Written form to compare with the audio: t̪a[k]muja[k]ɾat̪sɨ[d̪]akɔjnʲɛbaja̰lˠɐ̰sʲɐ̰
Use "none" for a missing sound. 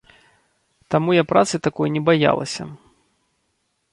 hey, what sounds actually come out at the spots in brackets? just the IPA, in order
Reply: none, p, t̪

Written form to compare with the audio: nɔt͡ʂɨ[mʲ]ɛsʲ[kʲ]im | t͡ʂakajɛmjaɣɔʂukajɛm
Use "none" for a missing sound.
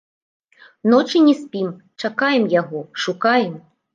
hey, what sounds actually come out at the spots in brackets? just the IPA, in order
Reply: nʲ, pʲ

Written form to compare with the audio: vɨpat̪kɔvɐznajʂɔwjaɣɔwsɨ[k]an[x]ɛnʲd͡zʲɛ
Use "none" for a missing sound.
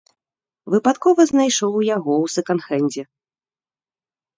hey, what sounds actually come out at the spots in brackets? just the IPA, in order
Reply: k, x

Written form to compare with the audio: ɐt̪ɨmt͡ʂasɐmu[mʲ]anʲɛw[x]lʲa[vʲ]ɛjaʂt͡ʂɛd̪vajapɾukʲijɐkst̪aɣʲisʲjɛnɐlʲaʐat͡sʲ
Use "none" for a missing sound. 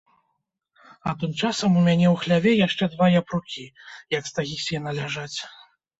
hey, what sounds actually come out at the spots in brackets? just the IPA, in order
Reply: mʲ, x, vʲ

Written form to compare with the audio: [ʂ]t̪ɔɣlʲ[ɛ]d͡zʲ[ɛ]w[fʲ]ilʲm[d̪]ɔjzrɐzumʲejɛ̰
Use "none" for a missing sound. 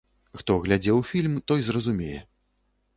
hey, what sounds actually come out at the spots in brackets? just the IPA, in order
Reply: x, a, ɛ, fʲ, t̪

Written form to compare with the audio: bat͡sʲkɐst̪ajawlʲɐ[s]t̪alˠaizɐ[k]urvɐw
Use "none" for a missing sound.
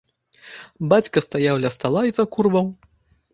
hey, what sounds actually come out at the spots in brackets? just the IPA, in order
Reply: s, k

